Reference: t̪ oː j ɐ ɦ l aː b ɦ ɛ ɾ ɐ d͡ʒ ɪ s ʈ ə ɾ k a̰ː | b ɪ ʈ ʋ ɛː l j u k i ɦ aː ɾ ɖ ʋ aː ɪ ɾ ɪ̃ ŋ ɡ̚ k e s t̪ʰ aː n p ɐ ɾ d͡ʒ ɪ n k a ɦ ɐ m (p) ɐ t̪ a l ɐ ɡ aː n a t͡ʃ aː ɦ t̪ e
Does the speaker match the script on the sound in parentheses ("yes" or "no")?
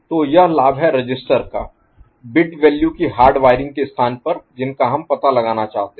yes